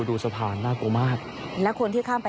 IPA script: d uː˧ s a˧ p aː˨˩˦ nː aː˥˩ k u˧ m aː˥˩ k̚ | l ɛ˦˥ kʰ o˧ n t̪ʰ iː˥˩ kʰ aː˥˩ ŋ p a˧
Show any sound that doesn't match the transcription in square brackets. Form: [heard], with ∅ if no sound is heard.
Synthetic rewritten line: d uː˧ s a˧ [pʰ] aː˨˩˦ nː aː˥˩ k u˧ m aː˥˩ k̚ | l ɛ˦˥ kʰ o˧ n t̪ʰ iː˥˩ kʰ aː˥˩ [m] p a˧

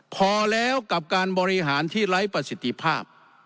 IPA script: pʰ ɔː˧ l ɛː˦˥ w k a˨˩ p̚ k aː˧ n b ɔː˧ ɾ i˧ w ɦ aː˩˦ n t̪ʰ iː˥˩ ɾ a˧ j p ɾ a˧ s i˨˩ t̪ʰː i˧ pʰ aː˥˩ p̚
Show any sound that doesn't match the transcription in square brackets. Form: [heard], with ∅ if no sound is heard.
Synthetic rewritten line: pʰ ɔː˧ l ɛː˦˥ w k a˨˩ p̚ k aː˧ n b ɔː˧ ɾ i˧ [∅] ɦ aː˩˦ n t̪ʰ iː˥˩ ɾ [a˦˥] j p ɾ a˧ s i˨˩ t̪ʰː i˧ pʰ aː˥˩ p̚

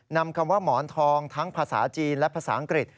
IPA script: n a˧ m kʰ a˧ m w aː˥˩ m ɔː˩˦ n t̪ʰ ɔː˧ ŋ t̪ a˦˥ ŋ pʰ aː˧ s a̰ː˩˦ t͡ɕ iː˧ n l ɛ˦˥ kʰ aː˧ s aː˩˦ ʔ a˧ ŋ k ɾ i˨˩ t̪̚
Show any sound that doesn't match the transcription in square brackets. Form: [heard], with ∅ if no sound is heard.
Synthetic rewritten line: n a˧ m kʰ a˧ m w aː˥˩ m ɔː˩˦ n t̪ʰ ɔː˧ ŋ [t̪ʰ] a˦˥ ŋ pʰ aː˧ s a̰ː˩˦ t͡ɕ iː˧ n l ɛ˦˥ [pʰ] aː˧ s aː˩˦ ʔ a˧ ŋ k ɾ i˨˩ t̪̚

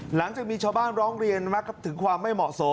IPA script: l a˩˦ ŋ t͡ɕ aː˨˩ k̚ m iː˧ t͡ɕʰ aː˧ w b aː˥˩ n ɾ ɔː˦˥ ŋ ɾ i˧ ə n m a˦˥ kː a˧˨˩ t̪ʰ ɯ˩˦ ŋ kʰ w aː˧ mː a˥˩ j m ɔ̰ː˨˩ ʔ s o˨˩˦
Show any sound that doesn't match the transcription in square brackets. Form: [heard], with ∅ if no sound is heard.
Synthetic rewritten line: l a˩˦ ŋ t͡ɕ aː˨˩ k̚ m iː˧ t͡ɕʰ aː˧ w b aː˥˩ n ɾ ɔː˦˥ ŋ ɾ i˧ ə n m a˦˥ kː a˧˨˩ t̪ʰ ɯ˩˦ ŋ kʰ w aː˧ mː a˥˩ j m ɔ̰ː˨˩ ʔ s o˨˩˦

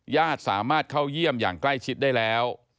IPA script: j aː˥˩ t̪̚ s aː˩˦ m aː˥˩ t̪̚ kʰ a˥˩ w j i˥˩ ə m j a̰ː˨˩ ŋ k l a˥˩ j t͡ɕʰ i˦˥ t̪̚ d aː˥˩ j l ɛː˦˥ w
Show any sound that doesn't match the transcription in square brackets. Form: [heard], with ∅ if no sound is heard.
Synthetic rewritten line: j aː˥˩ t̪̚ s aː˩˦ m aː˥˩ t̪̚ kʰ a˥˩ w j i˥˩ ə m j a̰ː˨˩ ŋ k l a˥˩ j t͡ɕʰ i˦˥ t̪̚ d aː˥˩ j l ɛː˦˥ w

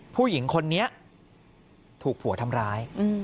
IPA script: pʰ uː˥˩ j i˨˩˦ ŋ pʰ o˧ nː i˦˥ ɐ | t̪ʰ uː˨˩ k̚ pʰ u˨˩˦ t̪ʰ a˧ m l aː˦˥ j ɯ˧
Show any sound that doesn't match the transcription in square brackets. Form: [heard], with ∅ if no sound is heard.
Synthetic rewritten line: pʰ uː˥˩ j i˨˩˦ ŋ [kʰ] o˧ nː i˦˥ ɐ | t̪ʰ uː˨˩ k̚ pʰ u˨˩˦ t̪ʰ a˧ m [ɾ] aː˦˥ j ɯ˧

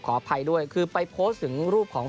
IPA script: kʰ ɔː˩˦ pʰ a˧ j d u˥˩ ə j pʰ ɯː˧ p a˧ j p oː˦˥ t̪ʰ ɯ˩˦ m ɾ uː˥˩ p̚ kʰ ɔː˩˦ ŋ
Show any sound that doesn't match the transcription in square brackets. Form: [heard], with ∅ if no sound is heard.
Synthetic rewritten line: kʰ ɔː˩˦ pʰ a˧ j d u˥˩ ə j [kʰ] ɯː˧ p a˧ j [pʰ] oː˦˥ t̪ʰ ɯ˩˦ [ŋ] ɾ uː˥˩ p̚ kʰ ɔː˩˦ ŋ

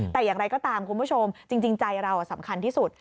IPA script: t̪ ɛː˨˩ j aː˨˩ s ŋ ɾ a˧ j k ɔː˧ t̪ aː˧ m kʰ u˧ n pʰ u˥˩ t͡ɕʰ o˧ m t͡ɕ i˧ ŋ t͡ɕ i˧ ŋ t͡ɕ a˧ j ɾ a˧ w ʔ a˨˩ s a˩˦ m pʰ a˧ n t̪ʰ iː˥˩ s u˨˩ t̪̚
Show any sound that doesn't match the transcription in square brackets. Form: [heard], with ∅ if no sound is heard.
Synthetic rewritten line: t̪ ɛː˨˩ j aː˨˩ [∅] ŋ ɾ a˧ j k [ɔː˥˩] t̪ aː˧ m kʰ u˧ n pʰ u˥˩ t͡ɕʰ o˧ m t͡ɕ i˧ ŋ t͡ɕ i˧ ŋ t͡ɕ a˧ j ɾ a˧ w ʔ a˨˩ s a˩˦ m [kʰ] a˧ n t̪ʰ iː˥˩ s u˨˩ t̪̚

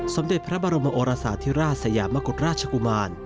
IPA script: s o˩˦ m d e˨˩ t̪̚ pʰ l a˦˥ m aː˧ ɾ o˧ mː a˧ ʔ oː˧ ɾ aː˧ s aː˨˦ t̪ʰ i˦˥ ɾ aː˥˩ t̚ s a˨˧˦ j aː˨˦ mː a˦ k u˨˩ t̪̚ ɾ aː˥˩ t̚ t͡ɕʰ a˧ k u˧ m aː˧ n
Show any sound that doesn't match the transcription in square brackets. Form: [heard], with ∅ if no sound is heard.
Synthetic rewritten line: s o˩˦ m d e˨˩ t̪̚ pʰ [ɾ] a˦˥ [b] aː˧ ɾ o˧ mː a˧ ʔ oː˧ ɾ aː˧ s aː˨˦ t̪ʰ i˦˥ ɾ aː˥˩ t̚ s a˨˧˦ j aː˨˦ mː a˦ k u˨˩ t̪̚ ɾ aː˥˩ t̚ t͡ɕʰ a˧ k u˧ m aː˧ n

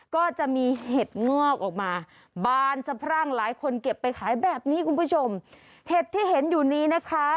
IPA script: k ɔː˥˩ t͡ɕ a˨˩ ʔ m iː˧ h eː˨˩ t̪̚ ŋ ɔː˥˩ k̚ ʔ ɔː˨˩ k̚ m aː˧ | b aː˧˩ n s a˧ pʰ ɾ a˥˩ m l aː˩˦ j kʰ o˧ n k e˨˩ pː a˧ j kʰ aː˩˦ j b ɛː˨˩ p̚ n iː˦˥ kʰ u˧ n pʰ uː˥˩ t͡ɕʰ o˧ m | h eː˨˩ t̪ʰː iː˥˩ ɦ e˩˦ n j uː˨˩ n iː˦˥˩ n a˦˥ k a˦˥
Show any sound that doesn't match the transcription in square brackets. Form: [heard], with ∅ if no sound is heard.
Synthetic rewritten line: k ɔː˥˩ t͡ɕ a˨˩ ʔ m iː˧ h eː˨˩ t̪̚ ŋ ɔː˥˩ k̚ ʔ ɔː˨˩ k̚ m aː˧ | b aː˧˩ n s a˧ pʰ ɾ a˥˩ [ŋ] l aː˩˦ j kʰ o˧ n k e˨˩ pː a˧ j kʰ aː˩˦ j b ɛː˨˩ p̚ n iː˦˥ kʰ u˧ n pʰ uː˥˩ t͡ɕʰ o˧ m | h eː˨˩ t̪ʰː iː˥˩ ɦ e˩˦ n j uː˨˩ n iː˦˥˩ n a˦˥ [kʰ] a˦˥

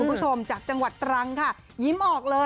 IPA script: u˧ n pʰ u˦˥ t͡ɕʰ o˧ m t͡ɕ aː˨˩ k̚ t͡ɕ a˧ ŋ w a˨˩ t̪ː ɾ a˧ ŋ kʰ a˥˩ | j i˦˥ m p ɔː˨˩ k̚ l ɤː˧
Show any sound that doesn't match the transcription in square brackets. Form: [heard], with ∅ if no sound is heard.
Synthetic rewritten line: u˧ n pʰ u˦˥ t͡ɕʰ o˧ m t͡ɕ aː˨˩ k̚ t͡ɕ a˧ ŋ w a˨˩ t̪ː ɾ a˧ ŋ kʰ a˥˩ | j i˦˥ m [ʔ] ɔː˨˩ k̚ l ɤː˧

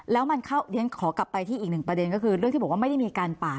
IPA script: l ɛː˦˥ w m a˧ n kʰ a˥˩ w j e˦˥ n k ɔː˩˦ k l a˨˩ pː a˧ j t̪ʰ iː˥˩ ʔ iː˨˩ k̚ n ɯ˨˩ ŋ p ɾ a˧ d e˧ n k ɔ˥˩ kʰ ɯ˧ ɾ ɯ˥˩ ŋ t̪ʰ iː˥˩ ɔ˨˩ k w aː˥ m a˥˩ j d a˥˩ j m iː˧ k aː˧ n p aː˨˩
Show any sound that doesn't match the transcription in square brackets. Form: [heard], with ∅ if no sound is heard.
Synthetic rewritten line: l ɛː˦˥ w m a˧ n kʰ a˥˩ w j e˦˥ n [kʰ] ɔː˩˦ k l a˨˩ pː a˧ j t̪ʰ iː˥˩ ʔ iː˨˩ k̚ n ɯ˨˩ ŋ p ɾ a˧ d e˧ n k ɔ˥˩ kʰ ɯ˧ ɾ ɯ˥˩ ŋ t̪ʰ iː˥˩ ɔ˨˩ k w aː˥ m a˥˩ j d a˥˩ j m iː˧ k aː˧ n p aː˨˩

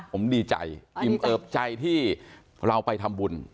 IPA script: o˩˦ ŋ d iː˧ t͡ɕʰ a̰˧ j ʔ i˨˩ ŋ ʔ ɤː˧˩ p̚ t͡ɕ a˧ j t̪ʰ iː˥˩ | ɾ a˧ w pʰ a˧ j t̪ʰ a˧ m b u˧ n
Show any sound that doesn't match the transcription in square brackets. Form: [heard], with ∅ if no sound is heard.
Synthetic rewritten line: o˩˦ [m] d iː˧ [t͡ɕ] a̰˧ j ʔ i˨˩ [m] ʔ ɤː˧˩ p̚ t͡ɕ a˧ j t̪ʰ iː˥˩ | ɾ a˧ w [p] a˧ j t̪ʰ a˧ m b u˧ n

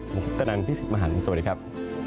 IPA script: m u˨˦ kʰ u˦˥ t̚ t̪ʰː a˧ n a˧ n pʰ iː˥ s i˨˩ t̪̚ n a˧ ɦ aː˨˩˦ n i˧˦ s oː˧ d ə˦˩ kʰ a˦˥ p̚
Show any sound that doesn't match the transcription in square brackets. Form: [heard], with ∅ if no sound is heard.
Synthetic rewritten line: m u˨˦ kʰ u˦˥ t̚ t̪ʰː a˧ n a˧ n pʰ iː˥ s i˨˩ t̪̚ [m] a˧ ɦ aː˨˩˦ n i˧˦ s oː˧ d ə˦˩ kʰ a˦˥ p̚

